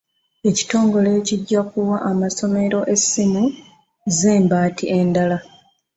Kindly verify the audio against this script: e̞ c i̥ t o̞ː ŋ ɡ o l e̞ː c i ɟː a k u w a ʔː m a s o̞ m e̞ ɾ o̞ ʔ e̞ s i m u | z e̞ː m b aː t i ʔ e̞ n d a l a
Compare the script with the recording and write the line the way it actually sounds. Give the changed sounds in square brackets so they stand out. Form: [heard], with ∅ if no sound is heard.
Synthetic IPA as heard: e̞ c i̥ t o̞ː ŋ ɡ o l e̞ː c i ɟː a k u w a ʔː m a s o̞ m e̞ ɾ o̞ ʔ e̞ s i m u | z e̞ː m b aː t i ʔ e̞ n d a l a